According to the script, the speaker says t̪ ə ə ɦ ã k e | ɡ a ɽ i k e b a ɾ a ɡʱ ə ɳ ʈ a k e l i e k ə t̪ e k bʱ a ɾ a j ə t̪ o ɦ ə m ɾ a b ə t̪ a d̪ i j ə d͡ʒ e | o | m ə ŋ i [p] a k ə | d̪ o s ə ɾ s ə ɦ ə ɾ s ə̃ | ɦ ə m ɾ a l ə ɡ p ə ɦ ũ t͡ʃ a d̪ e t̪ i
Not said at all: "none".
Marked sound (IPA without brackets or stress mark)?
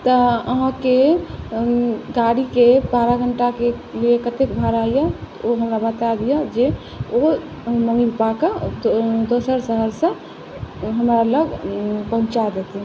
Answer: p